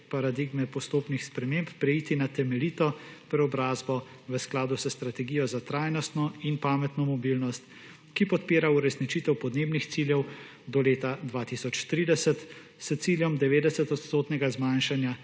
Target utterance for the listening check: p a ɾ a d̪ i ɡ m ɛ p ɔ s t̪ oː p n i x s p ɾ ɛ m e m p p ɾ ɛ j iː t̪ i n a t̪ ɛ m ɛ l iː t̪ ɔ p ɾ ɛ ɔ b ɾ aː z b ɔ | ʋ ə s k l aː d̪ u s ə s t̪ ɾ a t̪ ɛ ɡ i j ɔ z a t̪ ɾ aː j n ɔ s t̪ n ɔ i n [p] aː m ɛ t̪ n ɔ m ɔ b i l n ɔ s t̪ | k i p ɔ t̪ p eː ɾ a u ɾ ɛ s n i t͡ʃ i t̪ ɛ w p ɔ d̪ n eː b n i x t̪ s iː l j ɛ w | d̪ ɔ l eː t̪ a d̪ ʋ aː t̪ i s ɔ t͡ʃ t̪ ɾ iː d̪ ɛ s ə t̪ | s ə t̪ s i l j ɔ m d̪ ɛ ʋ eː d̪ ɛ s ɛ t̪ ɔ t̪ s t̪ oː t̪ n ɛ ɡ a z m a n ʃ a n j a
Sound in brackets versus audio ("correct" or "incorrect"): correct